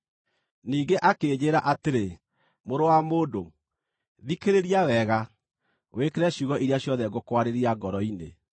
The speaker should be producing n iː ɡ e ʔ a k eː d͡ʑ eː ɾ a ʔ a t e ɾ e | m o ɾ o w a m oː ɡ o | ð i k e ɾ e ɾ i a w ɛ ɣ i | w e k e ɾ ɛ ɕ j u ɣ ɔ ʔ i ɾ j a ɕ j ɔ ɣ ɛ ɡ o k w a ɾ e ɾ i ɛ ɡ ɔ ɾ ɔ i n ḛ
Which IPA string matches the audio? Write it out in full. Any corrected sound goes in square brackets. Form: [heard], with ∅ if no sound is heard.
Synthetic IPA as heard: n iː ɡ e ʔ a k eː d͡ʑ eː ɾ a ʔ a t e ɾ e | m o ɾ o w a m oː [d] o | ð i k e ɾ e ɾ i a w ɛ ɣ [a] | w e k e ɾ ɛ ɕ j u ɣ ɔ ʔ i ɾ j a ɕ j ɔ [ð] ɛ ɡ o k w a ɾ e ɾ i [a] ɡ ɔ ɾ ɔ i n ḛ